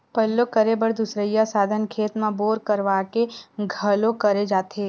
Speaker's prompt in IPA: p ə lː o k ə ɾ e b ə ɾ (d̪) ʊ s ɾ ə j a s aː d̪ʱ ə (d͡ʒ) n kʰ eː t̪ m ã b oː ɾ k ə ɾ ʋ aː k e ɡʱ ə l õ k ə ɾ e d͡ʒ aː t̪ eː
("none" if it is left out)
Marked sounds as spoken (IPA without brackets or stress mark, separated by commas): d̪, none